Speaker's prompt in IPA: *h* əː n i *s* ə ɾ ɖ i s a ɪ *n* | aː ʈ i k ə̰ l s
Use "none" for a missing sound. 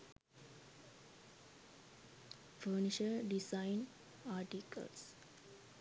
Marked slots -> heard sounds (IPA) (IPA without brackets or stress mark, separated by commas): f, ʃ, n